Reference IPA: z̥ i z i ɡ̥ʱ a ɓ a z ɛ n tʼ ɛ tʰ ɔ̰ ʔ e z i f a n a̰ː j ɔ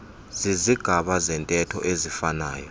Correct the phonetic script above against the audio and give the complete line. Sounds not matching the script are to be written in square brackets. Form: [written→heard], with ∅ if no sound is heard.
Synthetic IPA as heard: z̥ i z i ɡ̥ʱ a ɓ a z ɛ n tʼ ɛ tʰ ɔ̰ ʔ e z i f a n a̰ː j ɔ